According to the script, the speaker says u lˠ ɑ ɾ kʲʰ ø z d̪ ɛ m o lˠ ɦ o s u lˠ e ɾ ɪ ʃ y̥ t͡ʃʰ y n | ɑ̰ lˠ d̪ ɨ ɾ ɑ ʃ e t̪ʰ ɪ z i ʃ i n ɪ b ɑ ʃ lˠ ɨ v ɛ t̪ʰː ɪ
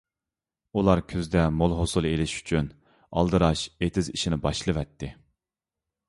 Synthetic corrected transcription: u lˠ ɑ ɾ kʲʰ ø z d̪ ɛ m o lˠ ɦ o s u lˠ e l ɪ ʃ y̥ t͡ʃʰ y n | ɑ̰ lˠ d̪ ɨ ɾ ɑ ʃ e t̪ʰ ɪ z i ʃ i n ɪ b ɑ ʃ lˠ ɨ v ɛ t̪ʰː ɪ